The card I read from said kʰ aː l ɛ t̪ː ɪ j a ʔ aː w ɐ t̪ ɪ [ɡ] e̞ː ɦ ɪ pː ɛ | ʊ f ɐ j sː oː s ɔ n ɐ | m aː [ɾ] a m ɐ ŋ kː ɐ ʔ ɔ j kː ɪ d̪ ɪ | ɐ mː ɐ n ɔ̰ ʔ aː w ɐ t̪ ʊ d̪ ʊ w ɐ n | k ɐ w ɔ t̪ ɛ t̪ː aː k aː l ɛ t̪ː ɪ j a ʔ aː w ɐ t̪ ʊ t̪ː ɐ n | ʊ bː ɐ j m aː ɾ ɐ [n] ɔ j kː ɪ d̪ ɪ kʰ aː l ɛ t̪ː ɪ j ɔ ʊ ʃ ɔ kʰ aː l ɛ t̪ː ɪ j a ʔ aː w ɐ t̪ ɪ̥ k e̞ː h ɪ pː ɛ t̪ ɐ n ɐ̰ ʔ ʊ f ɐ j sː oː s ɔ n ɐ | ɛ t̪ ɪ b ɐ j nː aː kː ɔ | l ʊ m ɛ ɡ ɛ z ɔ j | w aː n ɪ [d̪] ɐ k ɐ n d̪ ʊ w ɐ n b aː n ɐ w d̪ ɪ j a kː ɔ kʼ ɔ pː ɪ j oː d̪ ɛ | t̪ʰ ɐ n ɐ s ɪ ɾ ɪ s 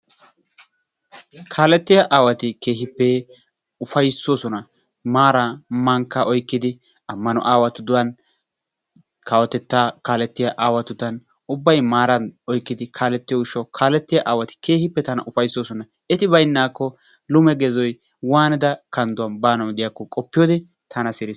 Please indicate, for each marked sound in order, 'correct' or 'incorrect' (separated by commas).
incorrect, correct, correct, correct